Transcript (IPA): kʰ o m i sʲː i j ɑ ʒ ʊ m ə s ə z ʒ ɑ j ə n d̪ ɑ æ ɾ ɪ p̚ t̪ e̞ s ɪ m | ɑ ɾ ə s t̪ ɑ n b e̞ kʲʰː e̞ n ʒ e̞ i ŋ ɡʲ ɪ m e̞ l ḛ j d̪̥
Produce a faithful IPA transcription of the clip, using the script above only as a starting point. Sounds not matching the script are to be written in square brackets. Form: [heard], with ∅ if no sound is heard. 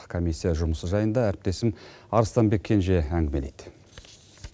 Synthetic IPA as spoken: kʰ o m i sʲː i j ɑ ʒ ʊ m ə s ə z ʒ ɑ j ə n d̪ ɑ æ ɾ ɪ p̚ t̪ e̞ s ɪ m | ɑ ɾ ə s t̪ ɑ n b e̞ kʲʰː e̞ n ʒ e̞ [æ] ŋ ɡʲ ɪ m e̞ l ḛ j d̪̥